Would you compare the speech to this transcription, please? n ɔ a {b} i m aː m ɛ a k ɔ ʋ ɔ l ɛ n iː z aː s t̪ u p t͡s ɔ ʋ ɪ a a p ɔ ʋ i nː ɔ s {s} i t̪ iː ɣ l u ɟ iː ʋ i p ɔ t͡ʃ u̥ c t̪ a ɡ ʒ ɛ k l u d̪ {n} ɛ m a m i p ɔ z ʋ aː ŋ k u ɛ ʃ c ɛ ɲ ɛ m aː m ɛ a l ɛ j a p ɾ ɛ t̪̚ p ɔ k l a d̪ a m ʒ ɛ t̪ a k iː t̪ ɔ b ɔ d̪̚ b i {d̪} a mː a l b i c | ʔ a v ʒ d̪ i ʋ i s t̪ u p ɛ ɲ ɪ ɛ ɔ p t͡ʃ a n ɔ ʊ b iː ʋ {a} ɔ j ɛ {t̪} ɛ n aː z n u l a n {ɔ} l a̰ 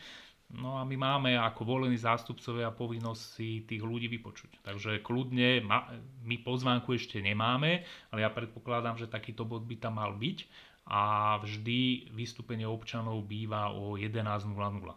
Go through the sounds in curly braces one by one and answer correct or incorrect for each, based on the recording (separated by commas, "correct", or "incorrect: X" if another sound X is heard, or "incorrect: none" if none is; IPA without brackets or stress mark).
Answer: incorrect: m, correct, incorrect: ɲ, incorrect: t̪, correct, incorrect: d̪, incorrect: u